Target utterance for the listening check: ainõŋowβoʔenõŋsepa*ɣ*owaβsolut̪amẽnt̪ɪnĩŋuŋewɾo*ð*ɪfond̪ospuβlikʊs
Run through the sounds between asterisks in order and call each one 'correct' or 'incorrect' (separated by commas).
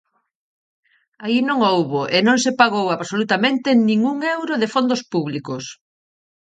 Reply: correct, correct